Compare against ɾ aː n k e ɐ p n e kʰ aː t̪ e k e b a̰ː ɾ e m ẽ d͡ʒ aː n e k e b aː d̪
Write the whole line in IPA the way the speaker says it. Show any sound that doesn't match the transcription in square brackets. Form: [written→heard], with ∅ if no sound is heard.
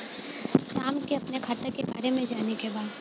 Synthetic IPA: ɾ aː [n→m] k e ɐ p n e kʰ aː t̪ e k e b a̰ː ɾ e m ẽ d͡ʒ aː n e k e b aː d̪